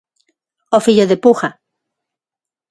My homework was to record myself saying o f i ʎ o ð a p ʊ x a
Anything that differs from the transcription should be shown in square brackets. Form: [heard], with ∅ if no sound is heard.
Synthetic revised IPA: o f i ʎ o ð [e] p [u] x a